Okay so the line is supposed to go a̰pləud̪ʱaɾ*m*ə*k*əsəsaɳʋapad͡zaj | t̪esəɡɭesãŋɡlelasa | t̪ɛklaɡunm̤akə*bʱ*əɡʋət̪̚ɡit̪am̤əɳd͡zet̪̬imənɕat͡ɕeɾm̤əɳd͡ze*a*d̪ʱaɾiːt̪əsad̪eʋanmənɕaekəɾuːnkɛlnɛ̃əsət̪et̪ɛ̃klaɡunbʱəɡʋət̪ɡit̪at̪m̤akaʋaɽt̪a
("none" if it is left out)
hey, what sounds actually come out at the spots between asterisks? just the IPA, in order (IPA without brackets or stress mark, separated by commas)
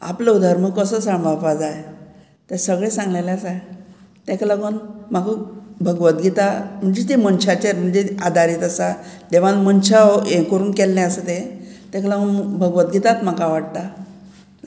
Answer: m, k, bʱ, a